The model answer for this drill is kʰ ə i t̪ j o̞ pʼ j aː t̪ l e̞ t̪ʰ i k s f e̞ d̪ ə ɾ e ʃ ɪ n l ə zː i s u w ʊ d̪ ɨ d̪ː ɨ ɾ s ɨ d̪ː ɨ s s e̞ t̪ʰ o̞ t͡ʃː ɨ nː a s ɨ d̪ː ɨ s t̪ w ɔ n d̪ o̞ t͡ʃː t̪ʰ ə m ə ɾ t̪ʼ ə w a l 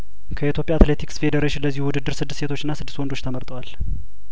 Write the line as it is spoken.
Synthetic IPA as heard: kʰ ə i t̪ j o̞ pʼ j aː t̪ l e̞ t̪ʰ i k s f e̞ d̪ ə ɾ e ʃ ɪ n l ə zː i h u w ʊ d̪ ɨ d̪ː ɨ ɾ s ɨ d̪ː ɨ s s e̞ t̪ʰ o̞ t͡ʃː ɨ nː a s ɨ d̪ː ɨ s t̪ w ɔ n d̪ o̞ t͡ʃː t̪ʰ ə m ə ɾ t̪ʼ ə w a l